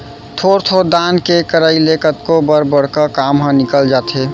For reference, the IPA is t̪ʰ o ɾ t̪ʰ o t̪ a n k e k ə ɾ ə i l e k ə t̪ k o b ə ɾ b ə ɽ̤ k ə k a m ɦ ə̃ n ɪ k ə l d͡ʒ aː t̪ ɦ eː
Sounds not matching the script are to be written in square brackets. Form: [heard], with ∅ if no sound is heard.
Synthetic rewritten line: t̪ʰ o ɾ t̪ʰ o [d̪] a n k e k ə ɾ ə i l e k ə t̪ k o b ə ɾ b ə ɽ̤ k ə k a m ɦ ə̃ n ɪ k ə l d͡ʒ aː t̪ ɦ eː